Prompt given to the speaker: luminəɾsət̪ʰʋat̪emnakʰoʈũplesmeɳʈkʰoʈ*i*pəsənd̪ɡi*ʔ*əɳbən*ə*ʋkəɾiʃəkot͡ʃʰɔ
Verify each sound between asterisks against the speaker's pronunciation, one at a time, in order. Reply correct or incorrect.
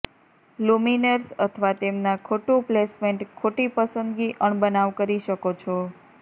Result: correct, correct, incorrect

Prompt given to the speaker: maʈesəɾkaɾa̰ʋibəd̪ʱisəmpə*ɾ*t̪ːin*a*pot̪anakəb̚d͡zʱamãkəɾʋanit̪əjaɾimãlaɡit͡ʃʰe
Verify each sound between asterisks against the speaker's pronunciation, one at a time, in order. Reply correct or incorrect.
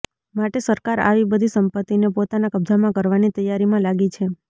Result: incorrect, incorrect

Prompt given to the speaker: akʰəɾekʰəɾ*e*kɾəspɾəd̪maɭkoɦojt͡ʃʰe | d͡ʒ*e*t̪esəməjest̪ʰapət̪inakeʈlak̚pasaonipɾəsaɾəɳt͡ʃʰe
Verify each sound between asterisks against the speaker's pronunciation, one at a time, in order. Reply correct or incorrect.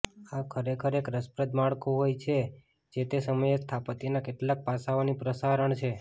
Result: correct, correct

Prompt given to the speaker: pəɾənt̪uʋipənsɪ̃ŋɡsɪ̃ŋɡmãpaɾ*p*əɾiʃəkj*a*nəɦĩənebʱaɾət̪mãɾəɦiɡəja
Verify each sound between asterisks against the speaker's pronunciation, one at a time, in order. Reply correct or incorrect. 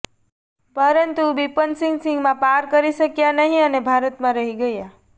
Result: incorrect, correct

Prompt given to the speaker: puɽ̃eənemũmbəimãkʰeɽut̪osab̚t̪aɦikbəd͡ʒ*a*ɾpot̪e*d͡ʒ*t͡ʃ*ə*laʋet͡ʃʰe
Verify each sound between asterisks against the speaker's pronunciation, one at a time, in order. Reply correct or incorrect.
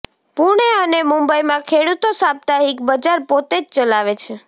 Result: correct, correct, correct

